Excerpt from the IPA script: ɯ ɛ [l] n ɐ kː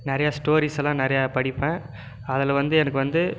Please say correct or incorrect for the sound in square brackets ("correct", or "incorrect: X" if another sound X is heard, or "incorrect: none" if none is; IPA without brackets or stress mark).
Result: incorrect: none